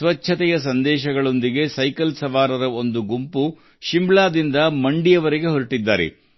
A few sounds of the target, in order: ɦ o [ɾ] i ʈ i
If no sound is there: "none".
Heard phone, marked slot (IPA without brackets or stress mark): ɾ